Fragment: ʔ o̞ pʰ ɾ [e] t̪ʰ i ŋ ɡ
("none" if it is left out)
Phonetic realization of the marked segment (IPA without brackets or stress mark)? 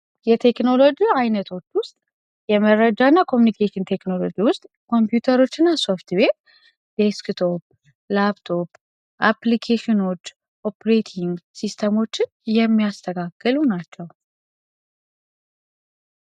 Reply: e